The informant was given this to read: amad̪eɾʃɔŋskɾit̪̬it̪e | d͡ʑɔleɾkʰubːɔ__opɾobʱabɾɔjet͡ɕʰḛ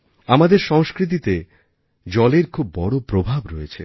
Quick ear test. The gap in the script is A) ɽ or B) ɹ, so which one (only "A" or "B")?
A